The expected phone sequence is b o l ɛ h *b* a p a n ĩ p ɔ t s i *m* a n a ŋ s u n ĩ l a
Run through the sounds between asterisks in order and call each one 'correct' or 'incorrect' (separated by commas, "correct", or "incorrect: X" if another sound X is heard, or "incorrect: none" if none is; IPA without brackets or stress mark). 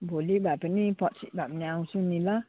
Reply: correct, incorrect: b